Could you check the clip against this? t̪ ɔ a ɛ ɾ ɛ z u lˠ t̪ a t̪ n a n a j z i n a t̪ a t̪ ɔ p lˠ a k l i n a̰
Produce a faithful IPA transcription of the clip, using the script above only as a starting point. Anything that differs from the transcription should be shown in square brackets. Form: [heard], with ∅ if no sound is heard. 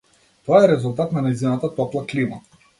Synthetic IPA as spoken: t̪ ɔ a ɛ ɾ ɛ z u lˠ t̪ a t̪ n a n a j z i n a t̪ a t̪ ɔ p lˠ a k l i [m] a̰

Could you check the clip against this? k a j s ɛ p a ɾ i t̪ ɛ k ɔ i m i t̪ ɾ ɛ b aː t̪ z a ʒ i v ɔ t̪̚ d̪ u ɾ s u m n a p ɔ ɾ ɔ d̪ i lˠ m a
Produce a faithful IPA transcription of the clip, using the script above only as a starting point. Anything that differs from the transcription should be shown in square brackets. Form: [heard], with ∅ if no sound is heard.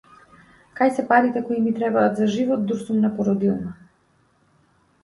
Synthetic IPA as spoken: k a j s ɛ p a ɾ i t̪ ɛ k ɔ i m i t̪ ɾ ɛ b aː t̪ z a ʒ i v ɔ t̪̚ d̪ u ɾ s u m n a p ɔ ɾ ɔ d̪ i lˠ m a

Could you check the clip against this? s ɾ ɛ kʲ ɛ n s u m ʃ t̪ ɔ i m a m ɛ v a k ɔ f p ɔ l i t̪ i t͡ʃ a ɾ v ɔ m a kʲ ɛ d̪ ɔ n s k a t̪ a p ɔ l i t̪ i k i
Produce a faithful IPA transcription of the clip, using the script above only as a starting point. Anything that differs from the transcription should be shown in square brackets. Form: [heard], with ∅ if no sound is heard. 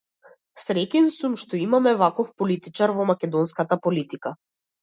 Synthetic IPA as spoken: s ɾ ɛ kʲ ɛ n s u m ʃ t̪ ɔ i m a m ɛ v a k ɔ f p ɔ l i t̪ i t͡ʃ a ɾ v ɔ m a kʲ ɛ d̪ ɔ n s k a t̪ a p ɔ l i t̪ i k [a]

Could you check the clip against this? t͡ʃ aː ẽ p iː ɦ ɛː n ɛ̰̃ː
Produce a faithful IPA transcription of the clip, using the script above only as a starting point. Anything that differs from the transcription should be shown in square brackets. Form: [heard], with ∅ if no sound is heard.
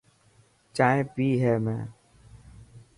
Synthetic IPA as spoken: t͡ʃ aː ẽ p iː ɦ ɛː [m] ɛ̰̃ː

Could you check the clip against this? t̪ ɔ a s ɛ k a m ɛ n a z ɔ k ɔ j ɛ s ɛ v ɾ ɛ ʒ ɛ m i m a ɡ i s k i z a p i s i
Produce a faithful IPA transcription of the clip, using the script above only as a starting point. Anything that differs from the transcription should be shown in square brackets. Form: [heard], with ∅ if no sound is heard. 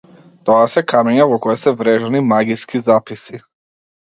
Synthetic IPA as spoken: t̪ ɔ a s ɛ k a m ɛ [ɲ] a [v] ɔ k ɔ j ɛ s ɛ v ɾ ɛ ʒ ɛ [n] i m a ɡ i s k i z a p i s i

